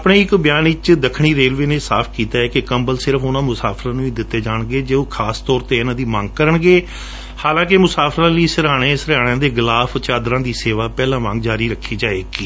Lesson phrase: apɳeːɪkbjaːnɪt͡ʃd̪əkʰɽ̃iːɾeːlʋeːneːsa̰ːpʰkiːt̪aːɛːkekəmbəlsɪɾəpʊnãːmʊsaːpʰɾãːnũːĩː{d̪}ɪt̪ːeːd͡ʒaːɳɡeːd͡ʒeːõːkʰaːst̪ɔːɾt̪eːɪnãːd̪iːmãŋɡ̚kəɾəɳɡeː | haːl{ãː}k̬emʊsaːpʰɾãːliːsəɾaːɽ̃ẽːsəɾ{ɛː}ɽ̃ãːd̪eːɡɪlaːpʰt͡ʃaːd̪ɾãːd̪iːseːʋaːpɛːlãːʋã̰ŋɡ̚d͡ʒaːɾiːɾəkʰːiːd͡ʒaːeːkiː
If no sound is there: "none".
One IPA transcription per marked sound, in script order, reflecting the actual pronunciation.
d̪, ãː, aː

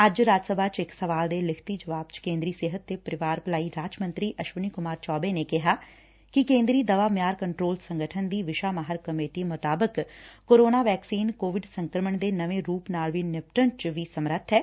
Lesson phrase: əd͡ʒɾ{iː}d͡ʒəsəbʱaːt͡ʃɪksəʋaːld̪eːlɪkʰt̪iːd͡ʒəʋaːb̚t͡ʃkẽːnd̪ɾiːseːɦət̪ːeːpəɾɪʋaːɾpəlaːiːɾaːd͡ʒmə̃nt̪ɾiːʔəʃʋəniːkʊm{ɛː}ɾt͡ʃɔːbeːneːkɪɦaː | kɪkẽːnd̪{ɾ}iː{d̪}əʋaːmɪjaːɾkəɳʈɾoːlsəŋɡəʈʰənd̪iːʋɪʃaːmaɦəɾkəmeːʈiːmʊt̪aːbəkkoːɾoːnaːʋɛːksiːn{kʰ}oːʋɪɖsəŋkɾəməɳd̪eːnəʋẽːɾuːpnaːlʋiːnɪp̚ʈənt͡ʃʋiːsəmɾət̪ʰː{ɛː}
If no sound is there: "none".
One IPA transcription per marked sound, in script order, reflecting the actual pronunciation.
aː, aː, ɾ, d̪, k, ɛː

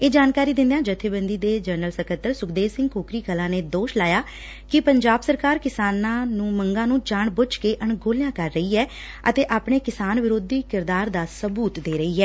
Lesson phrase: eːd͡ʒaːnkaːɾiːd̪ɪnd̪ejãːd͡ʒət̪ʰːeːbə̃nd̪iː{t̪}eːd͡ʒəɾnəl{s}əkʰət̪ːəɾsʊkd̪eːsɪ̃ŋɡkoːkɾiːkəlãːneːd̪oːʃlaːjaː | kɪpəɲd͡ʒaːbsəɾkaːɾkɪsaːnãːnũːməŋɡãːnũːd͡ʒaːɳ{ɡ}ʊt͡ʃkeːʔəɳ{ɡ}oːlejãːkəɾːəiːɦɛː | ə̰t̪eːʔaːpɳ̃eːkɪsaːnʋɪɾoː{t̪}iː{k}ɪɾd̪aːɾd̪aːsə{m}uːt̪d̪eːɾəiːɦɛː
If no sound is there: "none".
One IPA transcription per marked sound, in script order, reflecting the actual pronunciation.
d̪, s, b, ɡ, d̪, k, b

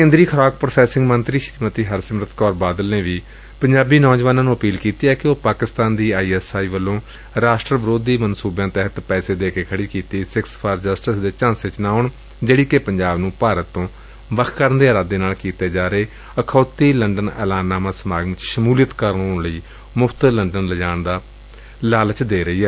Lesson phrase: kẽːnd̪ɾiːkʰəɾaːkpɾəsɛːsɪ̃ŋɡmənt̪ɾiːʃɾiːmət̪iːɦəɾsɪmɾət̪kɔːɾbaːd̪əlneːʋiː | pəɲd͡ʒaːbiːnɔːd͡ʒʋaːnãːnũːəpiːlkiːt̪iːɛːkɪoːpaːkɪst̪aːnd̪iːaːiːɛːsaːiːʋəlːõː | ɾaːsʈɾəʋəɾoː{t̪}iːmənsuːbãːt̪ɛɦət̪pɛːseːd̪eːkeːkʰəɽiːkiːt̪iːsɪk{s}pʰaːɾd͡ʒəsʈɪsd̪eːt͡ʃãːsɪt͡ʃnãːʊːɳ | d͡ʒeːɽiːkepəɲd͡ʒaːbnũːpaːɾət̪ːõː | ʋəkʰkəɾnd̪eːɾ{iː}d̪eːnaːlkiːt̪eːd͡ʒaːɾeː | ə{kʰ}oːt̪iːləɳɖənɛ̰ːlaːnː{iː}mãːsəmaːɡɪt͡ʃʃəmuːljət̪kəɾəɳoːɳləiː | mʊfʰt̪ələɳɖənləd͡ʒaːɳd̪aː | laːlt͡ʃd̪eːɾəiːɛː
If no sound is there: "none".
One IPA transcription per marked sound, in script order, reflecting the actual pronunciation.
d̪, s, aː, kʰ, aː

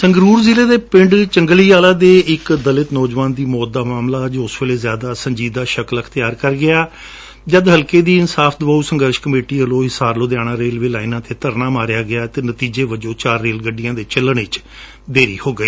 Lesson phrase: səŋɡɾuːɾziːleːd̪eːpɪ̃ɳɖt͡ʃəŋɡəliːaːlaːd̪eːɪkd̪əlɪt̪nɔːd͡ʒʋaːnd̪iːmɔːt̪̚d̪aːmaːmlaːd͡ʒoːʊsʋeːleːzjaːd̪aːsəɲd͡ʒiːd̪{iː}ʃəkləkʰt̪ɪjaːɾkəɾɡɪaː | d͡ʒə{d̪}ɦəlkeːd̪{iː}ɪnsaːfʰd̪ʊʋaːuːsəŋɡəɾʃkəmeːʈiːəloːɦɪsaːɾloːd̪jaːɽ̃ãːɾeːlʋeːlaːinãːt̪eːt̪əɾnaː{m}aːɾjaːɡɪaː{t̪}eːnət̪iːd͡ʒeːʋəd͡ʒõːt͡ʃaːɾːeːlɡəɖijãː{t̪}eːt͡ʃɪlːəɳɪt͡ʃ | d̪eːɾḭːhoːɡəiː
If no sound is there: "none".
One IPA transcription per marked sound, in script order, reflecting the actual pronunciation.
aː, d̪, iː, m, t̪, d̪

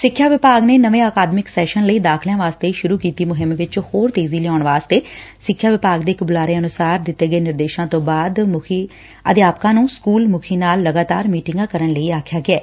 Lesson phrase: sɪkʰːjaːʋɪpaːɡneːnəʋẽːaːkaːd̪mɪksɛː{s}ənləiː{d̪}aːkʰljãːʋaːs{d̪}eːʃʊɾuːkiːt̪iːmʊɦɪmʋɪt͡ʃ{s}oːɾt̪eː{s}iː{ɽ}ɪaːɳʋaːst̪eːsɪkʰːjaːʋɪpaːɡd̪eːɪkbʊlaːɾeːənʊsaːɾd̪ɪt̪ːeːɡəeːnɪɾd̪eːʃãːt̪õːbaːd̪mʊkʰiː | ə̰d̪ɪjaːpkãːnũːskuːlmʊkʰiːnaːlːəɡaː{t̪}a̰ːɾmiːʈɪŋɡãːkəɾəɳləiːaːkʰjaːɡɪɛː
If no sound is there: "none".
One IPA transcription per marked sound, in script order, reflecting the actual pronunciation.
ʃ, d̪, t̪, h, z, l, t̪

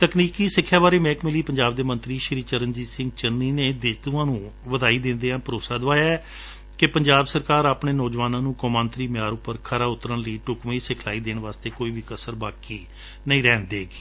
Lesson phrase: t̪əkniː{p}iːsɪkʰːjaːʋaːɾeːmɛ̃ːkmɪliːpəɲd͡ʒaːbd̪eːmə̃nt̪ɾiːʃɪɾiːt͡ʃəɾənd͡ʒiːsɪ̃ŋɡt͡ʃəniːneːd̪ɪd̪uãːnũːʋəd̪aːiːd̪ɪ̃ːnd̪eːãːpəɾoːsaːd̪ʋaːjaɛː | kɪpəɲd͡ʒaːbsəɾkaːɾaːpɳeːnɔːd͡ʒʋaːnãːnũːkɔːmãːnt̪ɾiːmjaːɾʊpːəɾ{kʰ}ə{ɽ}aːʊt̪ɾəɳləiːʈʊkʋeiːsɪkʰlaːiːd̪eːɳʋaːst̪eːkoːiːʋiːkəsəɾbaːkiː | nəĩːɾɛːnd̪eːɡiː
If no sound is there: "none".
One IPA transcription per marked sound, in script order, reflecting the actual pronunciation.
k, kʰ, ɾ

